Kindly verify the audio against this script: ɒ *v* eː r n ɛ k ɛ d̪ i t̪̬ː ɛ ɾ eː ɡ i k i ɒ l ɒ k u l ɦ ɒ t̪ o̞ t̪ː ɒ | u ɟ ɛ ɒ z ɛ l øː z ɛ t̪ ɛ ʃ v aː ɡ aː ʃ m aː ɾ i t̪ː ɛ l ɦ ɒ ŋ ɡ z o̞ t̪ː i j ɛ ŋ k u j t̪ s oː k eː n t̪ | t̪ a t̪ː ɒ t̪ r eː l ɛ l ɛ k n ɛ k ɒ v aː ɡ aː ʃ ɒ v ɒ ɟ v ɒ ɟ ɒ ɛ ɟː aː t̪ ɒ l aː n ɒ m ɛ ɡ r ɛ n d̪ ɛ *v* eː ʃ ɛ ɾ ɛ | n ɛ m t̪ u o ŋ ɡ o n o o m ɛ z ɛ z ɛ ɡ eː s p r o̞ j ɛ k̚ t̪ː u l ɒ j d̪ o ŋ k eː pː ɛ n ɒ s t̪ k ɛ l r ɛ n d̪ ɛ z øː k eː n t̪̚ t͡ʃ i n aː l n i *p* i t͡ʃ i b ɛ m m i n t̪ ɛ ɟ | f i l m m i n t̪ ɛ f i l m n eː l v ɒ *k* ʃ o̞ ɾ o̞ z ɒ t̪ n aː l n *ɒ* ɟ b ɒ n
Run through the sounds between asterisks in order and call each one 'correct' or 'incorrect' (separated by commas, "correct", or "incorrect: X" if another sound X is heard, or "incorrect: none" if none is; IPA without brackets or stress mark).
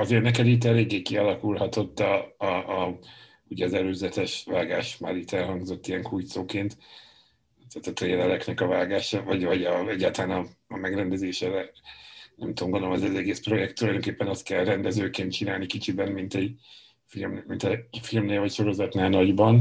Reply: incorrect: z, incorrect: z, incorrect: k, incorrect: c, correct